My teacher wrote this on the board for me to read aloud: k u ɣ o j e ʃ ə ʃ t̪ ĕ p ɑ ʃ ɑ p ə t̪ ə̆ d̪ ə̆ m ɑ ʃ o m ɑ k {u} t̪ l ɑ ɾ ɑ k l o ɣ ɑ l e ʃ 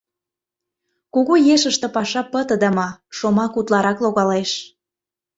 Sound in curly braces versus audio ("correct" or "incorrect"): correct